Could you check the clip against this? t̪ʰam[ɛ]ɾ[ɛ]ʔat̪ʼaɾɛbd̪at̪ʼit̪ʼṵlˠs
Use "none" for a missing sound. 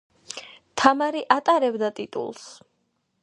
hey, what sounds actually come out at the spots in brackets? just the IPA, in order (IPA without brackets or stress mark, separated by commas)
a, i